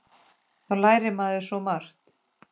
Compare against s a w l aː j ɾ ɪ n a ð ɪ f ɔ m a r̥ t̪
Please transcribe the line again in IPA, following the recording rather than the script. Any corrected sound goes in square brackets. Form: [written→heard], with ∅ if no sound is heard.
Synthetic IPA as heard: [s→θ] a w l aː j ɾ ɪ [n→m] a ð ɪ [f→s] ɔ m a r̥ t̪